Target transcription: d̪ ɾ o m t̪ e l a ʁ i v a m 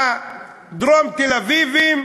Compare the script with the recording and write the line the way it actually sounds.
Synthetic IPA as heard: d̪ ɾ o m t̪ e l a v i v i m